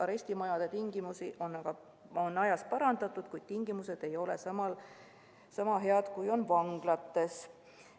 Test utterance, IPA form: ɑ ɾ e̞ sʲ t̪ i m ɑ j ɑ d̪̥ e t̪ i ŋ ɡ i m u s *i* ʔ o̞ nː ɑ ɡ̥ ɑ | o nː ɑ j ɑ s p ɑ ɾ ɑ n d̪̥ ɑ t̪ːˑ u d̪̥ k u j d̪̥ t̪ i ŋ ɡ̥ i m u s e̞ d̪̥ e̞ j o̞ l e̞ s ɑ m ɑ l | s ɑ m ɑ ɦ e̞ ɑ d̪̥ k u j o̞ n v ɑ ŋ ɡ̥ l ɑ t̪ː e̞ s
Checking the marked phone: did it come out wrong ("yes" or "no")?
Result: no